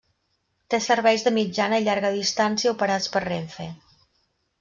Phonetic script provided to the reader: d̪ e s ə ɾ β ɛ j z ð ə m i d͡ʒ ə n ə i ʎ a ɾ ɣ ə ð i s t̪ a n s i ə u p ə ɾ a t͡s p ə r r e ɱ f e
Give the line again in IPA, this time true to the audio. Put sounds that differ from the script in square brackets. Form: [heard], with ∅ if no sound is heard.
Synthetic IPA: [t̪] e s ə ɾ β ɛ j z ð ə m i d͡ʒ [a] n ə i ʎ a ɾ ɣ ə ð i s t̪ a n s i ə u p ə ɾ a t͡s p ə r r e ɱ f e